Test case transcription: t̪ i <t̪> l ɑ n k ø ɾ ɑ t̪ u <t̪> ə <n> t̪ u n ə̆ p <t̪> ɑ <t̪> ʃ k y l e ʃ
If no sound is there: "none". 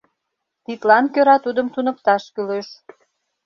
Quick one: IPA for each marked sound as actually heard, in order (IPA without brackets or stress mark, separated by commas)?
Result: t̪, d̪, m, t̪, none